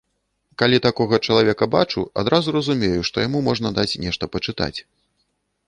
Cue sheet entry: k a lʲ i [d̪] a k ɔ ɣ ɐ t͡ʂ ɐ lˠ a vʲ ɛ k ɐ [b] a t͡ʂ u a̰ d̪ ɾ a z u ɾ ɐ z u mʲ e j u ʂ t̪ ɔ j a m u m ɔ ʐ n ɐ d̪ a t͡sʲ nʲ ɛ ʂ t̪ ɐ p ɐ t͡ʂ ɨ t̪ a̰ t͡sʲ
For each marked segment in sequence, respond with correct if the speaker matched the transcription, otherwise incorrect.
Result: incorrect, correct

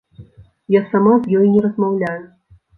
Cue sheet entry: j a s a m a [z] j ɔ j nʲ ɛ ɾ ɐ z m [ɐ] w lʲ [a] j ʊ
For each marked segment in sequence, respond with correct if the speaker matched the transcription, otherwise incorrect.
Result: correct, incorrect, correct

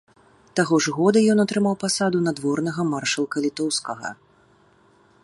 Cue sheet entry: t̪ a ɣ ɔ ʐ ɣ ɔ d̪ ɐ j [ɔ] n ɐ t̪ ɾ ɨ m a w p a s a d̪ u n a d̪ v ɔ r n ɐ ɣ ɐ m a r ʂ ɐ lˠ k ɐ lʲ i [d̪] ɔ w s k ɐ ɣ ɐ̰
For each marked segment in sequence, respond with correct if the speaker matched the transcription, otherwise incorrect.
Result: correct, incorrect

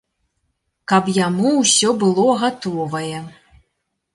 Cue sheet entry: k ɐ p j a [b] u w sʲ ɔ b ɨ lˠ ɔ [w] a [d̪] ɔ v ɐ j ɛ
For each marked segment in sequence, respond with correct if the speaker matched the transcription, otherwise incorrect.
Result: incorrect, incorrect, incorrect

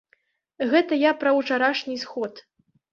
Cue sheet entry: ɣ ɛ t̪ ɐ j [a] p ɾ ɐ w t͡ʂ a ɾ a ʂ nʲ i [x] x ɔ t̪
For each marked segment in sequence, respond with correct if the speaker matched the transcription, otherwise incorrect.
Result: correct, incorrect

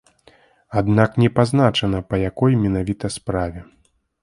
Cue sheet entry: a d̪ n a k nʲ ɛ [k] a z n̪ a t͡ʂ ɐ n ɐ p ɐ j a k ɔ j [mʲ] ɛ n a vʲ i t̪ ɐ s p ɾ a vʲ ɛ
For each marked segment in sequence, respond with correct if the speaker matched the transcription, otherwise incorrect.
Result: incorrect, correct

